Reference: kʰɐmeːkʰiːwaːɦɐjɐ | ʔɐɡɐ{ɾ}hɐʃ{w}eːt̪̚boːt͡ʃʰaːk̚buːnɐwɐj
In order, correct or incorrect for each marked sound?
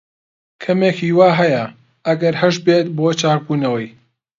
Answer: correct, incorrect

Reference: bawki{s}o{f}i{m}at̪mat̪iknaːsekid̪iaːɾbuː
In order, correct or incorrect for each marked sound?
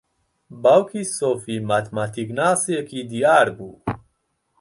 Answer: correct, correct, correct

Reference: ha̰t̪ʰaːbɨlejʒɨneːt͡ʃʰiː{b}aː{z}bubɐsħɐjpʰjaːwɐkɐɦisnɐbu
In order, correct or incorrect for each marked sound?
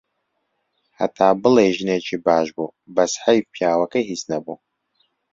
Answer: correct, incorrect

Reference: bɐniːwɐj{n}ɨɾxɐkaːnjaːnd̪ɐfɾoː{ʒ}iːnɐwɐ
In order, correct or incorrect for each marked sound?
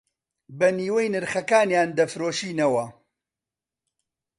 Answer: correct, incorrect

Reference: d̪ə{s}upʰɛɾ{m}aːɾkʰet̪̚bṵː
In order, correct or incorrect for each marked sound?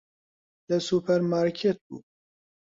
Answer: correct, correct

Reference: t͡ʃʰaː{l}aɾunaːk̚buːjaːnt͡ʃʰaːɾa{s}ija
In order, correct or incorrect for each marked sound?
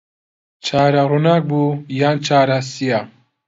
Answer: incorrect, correct

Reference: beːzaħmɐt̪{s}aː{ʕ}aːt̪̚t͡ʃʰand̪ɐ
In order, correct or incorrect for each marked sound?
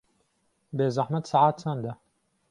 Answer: correct, correct

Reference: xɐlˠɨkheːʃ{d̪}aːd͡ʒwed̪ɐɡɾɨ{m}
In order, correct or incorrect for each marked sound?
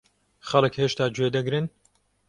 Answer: incorrect, incorrect

